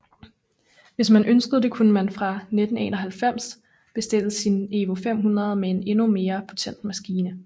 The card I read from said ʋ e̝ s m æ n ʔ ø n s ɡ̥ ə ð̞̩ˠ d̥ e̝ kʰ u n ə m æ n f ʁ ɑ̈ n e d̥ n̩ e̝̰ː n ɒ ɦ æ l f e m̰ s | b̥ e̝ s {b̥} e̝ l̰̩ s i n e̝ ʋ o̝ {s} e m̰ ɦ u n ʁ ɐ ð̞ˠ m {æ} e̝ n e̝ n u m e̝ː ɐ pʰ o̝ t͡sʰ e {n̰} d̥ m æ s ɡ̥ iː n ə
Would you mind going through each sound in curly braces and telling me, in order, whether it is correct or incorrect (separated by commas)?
incorrect, incorrect, incorrect, correct